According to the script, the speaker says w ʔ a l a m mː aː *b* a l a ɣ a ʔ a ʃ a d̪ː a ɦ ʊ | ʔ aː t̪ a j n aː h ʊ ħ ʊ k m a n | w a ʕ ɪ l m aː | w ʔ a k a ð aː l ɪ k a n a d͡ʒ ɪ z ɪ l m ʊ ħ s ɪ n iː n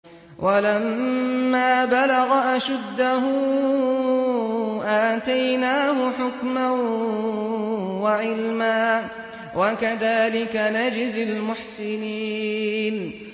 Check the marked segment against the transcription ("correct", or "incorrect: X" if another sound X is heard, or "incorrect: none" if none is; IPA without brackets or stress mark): correct